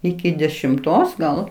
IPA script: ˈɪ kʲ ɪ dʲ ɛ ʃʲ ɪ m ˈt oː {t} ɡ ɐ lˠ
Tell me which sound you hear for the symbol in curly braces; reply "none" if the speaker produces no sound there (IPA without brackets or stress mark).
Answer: s